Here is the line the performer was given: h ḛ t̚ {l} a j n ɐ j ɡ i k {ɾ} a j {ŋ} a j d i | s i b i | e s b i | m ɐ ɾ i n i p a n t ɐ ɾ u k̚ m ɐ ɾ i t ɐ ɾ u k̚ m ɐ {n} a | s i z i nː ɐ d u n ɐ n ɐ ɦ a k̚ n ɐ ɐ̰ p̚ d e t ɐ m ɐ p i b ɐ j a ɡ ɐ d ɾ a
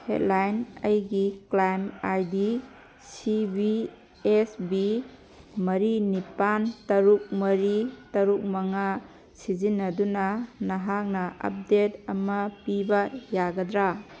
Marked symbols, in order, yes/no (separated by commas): yes, no, no, no